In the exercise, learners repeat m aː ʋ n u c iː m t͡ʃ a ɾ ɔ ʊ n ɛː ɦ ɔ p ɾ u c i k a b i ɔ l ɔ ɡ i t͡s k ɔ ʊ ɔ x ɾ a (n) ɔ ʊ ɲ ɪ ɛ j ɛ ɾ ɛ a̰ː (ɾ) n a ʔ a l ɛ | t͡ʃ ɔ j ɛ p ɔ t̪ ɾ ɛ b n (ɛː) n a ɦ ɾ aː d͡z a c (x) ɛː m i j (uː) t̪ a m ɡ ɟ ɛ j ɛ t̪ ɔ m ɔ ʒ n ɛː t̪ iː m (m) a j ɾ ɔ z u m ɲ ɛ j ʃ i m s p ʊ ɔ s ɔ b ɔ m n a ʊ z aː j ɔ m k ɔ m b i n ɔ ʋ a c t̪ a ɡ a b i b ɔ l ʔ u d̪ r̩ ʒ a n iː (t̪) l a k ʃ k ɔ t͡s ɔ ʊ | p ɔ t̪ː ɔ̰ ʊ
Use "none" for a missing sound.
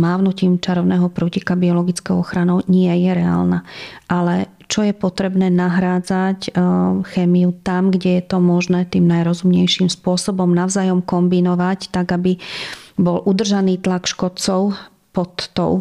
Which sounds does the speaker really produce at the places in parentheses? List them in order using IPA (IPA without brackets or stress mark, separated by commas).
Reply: n, l, ɛː, x, u, n, t̪